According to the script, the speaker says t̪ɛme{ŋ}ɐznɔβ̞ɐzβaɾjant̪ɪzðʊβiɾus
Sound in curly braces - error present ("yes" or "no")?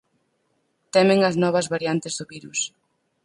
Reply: no